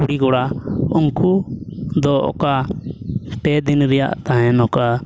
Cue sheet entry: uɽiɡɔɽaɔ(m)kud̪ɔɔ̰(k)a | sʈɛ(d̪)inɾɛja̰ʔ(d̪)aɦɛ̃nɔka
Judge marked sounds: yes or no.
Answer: no, yes, yes, no

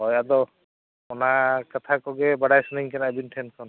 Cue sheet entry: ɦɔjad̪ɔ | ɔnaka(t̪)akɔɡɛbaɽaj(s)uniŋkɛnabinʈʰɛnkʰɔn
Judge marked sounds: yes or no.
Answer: no, yes

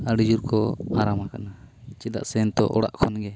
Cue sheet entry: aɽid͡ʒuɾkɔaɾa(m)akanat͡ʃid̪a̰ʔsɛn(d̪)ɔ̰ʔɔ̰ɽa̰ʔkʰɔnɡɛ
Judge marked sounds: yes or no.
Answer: yes, no

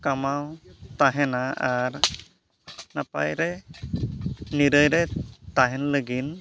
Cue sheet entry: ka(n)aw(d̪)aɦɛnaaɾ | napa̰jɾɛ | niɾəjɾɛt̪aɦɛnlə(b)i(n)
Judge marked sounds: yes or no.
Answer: no, no, no, yes

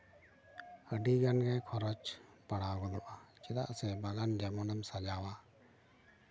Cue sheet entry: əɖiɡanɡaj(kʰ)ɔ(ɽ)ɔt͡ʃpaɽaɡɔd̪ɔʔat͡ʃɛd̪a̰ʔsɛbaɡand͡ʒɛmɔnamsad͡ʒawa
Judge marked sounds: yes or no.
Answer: yes, no

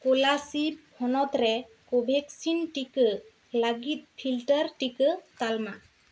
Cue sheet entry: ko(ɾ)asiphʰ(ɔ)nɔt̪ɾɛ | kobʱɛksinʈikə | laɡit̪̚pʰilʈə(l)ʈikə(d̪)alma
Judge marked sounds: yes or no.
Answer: no, yes, no, no

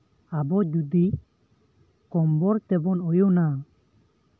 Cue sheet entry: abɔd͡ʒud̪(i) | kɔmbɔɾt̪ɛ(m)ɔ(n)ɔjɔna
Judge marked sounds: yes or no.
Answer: yes, no, yes

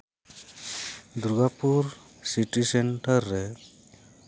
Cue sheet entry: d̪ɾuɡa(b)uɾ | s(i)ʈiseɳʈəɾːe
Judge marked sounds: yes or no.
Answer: no, yes

